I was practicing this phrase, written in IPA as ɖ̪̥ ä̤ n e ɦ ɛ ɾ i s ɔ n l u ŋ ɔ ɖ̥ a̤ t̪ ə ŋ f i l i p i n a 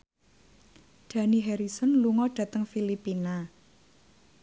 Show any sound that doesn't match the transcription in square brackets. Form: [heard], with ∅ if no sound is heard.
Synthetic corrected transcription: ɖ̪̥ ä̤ n [i] ɦ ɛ ɾ i s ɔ n l u ŋ ɔ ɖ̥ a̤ t̪ ə ŋ f i l i p i n a